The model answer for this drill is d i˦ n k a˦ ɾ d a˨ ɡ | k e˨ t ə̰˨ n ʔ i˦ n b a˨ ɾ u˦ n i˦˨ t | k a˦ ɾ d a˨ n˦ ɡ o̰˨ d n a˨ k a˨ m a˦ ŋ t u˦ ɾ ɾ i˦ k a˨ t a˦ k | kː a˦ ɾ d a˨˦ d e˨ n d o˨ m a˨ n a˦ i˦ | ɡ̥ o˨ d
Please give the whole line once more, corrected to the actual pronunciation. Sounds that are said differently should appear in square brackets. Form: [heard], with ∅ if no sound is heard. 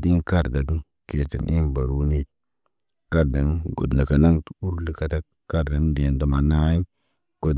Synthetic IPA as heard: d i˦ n k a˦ ɾ d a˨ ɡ | k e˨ t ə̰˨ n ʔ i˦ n b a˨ ɾ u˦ n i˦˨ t | k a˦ ɾ d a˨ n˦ ɡ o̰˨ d n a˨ k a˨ [n] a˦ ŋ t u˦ ɾ [l] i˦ k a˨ t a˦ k | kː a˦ ɾ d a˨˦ d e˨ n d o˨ m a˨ n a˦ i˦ | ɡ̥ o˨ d